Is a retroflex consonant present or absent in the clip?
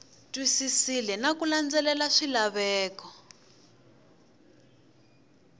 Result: present